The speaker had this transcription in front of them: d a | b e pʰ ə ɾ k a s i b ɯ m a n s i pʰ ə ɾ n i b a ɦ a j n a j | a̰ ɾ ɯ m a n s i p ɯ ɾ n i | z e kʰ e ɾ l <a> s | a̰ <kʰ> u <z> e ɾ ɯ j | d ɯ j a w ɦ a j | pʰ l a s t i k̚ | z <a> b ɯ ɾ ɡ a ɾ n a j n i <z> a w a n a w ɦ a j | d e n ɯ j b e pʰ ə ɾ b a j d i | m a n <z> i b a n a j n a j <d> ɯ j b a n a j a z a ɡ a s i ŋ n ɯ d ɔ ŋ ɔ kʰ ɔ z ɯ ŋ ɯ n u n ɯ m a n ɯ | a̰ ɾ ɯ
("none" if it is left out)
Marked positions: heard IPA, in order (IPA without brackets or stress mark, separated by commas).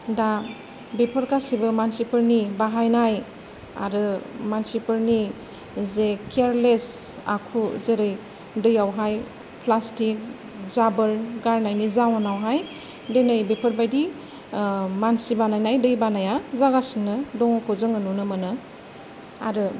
e, kʰ, z, a, z, s, d